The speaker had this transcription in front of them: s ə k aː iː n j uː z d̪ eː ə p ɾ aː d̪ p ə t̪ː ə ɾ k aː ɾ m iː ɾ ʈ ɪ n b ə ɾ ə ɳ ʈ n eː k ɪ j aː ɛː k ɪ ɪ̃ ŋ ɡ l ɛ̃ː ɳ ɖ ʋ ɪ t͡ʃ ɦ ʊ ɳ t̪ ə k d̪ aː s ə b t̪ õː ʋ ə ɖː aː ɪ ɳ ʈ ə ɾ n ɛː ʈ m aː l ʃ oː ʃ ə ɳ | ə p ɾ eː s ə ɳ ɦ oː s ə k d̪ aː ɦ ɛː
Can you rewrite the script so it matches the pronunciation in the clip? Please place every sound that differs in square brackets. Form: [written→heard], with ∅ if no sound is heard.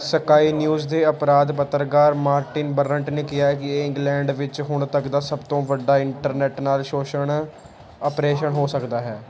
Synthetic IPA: s ə k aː iː n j uː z d̪ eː ə p ɾ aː d̪ p ə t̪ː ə ɾ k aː ɾ m [iː→aː] ɾ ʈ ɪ n b ə ɾ ə ɳ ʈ n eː k ɪ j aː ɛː k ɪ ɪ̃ ŋ ɡ l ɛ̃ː ɳ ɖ ʋ ɪ t͡ʃ ɦ ʊ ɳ t̪ ə k d̪ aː s ə b t̪ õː ʋ ə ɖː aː ɪ ɳ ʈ ə ɾ n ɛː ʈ [m→n] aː l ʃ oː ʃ ə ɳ | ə p ɾ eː [s→ʃ] ə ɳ ɦ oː s ə k d̪ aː ɦ ɛː